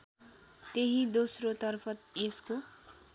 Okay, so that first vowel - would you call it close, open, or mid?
mid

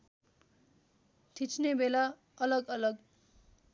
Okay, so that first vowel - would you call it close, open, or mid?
close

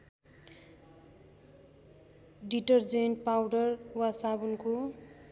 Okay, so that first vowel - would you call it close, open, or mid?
close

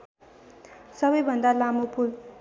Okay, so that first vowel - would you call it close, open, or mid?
mid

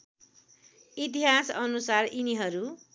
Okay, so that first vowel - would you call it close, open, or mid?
close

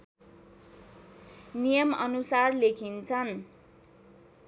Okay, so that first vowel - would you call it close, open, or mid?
close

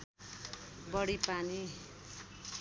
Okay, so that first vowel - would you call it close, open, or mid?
mid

